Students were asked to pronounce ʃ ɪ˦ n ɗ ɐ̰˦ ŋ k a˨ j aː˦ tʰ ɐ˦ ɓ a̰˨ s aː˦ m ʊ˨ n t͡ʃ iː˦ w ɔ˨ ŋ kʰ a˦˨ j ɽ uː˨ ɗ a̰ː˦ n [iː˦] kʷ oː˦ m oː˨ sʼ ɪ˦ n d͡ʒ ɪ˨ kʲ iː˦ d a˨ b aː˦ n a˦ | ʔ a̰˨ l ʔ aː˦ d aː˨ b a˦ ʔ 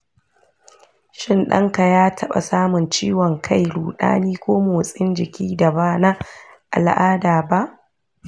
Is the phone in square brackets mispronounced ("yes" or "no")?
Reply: no